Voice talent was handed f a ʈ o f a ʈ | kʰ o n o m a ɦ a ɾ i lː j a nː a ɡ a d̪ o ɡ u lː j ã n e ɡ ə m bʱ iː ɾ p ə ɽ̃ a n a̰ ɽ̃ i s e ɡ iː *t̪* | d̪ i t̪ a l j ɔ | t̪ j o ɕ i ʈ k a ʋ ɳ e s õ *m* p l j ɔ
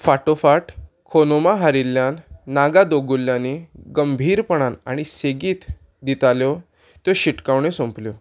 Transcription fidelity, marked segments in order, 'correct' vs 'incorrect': correct, correct

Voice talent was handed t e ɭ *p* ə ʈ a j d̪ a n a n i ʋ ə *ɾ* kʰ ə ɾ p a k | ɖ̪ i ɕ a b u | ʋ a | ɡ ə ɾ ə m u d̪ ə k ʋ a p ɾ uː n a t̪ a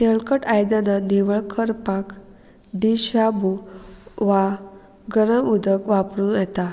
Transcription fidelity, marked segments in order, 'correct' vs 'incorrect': incorrect: k, incorrect: ɭ

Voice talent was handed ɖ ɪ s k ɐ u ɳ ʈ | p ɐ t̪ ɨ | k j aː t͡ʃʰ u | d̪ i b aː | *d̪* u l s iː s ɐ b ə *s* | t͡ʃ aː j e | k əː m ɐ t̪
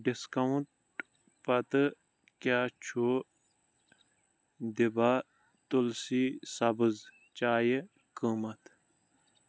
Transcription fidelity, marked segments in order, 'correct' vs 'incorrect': incorrect: t̪, incorrect: z

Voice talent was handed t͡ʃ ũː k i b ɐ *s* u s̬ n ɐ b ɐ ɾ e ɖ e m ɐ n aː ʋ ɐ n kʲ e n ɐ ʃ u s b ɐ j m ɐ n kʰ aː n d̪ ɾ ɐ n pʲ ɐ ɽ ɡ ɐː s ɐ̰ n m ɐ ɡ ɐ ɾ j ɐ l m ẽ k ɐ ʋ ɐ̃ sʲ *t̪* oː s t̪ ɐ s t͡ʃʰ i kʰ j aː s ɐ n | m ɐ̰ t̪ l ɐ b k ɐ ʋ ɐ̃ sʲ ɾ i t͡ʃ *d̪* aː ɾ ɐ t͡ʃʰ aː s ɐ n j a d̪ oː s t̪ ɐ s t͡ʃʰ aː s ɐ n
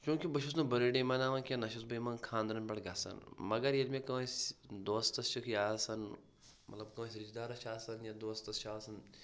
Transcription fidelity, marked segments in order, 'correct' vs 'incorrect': incorrect: ʃ, incorrect: d̪, correct

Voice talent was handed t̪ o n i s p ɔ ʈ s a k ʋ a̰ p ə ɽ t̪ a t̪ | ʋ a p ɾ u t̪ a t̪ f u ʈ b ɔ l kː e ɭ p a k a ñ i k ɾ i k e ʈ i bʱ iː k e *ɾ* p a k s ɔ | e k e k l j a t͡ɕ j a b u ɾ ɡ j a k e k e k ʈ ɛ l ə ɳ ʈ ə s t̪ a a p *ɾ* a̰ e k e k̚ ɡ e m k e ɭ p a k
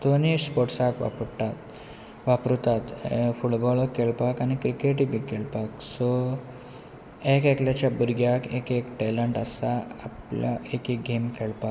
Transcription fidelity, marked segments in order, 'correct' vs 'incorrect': incorrect: ɭ, incorrect: l

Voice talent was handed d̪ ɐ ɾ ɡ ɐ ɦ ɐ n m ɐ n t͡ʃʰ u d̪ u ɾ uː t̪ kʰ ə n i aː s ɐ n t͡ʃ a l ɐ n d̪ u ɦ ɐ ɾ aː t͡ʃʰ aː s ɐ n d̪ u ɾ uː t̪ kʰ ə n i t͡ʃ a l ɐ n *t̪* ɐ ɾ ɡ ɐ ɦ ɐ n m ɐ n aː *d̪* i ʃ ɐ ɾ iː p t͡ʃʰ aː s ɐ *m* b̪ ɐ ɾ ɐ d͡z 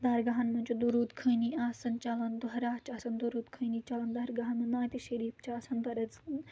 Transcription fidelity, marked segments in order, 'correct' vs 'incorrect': incorrect: d̪, incorrect: t̪, incorrect: n

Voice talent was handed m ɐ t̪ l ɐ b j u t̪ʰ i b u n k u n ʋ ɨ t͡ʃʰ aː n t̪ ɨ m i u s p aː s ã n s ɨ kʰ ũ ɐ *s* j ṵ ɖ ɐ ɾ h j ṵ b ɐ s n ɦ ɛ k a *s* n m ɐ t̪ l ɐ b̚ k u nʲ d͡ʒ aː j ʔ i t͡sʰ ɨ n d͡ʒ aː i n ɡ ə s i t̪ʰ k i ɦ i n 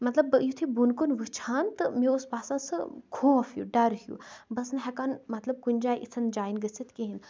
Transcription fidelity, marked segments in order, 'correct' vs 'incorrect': incorrect: f, incorrect: none

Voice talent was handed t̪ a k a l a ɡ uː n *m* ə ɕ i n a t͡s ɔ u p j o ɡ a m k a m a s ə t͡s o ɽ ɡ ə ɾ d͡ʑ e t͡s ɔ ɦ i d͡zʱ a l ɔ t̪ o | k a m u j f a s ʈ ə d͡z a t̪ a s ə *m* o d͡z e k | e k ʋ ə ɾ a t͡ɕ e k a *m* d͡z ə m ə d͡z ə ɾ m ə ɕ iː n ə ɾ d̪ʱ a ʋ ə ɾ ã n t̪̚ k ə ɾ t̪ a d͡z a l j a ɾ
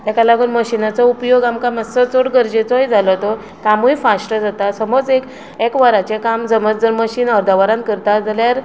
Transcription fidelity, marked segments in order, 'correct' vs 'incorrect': correct, correct, correct

